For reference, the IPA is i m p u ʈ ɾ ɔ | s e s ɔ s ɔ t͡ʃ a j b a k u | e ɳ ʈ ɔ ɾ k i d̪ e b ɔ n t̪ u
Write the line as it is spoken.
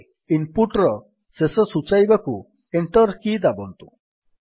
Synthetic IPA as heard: i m p u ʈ ɾ ɔ | s e s ɔ s u t͡ʃ a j b a k u | e ɳ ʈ ɔ ɾ k i d̪ a b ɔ n t̪ u